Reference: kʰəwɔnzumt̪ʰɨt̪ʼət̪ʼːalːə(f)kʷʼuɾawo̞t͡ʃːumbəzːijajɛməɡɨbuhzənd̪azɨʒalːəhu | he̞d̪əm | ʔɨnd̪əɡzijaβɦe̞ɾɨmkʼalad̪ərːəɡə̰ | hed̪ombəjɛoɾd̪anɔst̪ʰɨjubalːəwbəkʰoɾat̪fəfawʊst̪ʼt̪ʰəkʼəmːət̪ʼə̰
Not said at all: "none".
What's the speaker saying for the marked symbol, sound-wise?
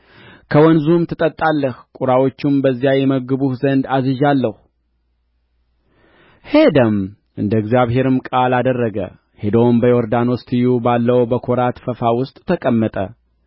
h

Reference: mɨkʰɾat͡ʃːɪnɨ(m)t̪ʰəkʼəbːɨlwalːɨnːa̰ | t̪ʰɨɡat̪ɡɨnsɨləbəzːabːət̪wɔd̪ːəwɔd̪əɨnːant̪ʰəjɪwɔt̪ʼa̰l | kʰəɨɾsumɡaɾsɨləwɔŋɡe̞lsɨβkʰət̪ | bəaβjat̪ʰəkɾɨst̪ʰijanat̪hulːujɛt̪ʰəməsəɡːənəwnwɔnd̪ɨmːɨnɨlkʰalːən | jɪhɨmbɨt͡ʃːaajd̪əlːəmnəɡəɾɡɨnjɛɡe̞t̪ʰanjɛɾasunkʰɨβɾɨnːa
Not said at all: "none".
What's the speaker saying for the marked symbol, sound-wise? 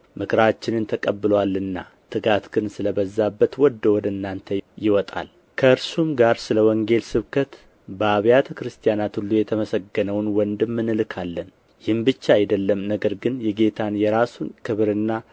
n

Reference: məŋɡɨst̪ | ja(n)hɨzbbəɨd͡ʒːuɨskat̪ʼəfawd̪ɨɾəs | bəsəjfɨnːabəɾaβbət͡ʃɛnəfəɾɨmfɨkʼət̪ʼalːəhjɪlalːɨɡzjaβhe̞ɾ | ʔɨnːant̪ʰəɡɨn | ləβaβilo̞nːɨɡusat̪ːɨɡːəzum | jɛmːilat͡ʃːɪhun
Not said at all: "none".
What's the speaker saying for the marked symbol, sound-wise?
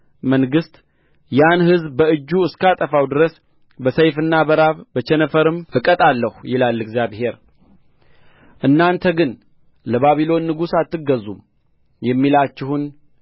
n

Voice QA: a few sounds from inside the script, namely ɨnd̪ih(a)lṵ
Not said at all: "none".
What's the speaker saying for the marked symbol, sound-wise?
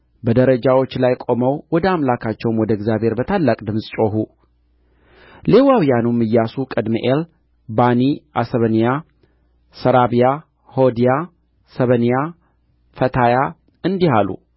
a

